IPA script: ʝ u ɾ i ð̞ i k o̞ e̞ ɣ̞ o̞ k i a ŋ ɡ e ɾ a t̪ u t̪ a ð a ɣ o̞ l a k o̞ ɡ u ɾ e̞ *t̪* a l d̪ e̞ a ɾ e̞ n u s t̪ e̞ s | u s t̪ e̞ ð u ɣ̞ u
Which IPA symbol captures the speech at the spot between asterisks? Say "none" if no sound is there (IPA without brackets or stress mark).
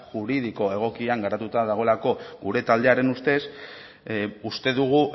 t̪